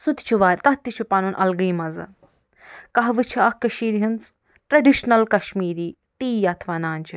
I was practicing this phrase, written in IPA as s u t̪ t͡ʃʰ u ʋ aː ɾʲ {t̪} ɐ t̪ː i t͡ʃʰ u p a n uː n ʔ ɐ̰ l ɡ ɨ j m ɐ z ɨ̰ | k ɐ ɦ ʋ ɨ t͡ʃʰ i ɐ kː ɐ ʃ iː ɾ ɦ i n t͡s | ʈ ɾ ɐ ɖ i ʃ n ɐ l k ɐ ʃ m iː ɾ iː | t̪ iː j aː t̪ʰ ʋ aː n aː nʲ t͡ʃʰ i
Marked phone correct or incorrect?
correct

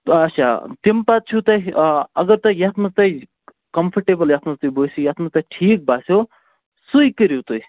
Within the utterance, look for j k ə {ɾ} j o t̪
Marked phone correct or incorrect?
correct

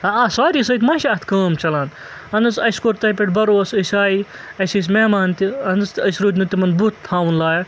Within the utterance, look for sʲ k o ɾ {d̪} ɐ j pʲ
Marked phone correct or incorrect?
incorrect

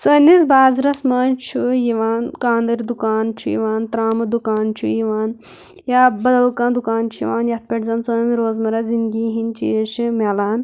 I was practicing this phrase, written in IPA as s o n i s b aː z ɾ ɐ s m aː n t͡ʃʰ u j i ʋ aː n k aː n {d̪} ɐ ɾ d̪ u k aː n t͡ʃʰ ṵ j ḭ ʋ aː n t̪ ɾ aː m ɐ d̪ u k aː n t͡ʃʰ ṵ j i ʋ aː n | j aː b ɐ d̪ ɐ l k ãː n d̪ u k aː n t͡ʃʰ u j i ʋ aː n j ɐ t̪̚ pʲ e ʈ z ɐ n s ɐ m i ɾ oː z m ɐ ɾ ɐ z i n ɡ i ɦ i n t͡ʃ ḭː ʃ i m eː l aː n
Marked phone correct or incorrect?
correct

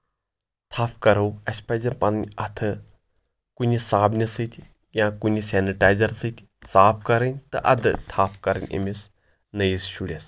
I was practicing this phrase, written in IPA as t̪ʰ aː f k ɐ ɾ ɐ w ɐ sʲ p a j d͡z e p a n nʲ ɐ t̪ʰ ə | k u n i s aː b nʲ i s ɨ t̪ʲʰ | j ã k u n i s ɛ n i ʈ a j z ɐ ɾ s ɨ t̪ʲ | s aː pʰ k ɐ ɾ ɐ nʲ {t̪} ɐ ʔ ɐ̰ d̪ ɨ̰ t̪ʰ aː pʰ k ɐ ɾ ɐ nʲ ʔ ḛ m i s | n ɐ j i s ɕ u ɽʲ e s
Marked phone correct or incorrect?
correct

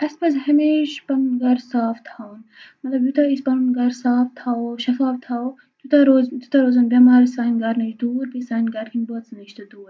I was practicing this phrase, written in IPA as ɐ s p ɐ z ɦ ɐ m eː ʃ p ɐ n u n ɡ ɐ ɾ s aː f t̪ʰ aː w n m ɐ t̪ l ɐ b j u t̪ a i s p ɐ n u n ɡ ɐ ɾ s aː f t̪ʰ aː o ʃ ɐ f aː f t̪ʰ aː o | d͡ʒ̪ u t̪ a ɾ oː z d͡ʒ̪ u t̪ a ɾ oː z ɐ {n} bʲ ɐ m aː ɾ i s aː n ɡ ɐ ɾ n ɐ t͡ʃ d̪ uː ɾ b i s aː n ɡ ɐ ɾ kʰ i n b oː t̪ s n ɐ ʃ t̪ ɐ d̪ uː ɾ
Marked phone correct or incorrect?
correct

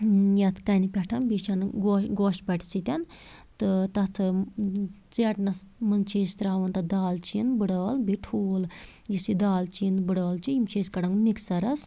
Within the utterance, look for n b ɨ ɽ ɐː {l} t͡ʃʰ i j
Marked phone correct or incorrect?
correct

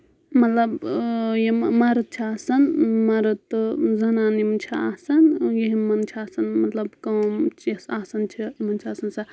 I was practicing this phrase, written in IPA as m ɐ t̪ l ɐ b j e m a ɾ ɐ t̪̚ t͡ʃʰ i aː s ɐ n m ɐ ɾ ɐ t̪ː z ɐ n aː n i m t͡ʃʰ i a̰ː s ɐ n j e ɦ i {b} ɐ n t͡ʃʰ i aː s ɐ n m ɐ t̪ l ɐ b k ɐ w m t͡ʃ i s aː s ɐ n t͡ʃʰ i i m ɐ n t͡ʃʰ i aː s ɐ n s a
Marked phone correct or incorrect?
incorrect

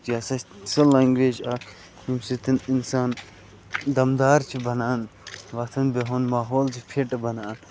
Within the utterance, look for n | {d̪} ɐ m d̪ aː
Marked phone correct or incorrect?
correct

